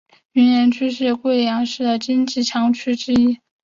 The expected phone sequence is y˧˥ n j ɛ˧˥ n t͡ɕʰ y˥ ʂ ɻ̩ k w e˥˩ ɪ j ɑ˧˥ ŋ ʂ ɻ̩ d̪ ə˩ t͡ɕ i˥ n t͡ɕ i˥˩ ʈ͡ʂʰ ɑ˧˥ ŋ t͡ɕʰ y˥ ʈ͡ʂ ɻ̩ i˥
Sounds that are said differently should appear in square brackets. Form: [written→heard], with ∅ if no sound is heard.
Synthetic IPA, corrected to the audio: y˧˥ n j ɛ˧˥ n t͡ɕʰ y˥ ʂ ɻ̩ k w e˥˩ ɪ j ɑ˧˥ ŋ ʂ ɻ̩ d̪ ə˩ t͡ɕ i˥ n t͡ɕ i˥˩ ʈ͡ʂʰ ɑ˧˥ ŋ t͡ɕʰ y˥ ʈ͡ʂ ɻ̩ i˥